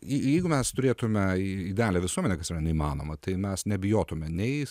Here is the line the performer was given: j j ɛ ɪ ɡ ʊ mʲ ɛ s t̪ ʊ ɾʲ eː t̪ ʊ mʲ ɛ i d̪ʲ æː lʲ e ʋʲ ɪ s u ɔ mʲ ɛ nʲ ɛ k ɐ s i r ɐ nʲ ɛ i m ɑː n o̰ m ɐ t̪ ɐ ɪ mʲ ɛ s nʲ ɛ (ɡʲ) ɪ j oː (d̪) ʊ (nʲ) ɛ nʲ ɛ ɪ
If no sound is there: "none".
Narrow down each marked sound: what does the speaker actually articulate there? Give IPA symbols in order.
bʲ, t̪, mʲ

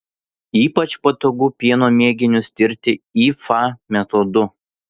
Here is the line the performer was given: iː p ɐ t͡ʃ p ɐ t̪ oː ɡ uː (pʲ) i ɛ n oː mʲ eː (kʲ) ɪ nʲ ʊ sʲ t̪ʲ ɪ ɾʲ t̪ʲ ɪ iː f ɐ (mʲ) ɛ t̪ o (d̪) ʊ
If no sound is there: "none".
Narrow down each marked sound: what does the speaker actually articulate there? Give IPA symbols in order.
pʲ, ɡʲ, mʲ, d̪

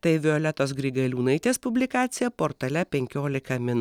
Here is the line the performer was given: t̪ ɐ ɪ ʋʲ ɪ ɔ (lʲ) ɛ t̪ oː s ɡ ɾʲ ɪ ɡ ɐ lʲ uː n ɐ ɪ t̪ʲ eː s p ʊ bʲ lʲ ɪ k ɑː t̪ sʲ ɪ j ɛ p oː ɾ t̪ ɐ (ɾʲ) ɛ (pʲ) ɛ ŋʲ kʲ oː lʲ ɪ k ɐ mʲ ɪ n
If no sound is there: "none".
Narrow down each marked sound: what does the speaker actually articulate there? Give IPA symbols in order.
lʲ, lʲ, pʲ

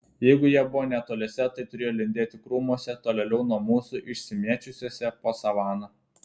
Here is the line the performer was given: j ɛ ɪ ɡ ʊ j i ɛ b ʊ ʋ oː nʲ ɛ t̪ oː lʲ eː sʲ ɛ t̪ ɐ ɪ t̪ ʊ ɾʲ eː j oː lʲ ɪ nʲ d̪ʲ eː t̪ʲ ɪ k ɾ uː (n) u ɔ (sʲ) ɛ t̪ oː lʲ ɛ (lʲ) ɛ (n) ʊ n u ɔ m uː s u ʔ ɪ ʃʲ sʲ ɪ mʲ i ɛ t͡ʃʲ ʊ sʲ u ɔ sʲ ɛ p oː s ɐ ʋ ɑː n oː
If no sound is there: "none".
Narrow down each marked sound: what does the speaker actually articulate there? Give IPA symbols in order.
m, sʲ, lʲ, none

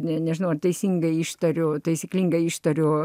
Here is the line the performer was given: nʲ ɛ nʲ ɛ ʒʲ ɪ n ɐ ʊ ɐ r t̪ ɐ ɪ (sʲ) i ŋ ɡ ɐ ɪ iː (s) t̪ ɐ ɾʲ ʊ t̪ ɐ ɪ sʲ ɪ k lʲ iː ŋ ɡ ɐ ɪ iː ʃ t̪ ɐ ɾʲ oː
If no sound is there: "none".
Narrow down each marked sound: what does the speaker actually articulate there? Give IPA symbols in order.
sʲ, ʃ

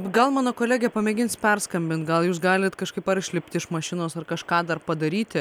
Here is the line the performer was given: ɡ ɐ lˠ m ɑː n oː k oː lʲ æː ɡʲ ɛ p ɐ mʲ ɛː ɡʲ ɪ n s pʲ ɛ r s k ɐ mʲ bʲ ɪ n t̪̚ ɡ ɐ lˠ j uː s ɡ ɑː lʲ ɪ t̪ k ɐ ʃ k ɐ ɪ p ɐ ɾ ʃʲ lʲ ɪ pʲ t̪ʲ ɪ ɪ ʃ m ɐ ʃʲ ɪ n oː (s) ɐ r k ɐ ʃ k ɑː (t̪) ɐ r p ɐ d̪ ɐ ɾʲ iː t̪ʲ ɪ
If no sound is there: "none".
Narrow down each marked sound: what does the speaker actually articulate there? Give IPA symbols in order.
s, d̪

